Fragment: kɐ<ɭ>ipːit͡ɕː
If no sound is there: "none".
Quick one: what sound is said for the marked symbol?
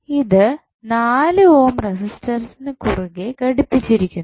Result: ɽ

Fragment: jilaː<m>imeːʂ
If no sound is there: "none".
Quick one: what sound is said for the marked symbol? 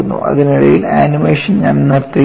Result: n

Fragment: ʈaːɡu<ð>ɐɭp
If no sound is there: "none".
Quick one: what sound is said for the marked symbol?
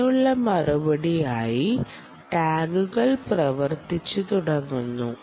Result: ɣ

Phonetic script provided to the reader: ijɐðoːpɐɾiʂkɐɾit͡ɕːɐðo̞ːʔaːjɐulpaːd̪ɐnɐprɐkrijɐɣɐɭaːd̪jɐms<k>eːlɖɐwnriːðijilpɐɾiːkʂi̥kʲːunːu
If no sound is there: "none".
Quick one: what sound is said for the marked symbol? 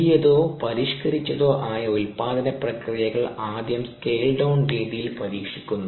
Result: k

